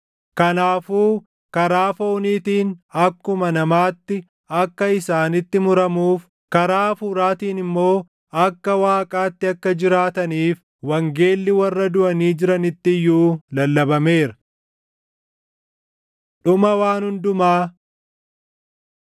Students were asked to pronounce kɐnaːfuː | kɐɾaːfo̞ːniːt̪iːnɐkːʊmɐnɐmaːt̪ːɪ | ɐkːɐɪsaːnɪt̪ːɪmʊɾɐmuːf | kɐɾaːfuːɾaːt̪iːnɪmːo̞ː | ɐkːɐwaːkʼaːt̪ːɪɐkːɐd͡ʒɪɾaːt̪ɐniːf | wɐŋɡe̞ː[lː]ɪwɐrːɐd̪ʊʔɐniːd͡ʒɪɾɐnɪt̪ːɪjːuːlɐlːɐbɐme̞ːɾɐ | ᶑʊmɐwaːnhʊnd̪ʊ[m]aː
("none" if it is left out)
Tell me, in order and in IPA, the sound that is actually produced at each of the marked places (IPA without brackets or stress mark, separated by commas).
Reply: lː, m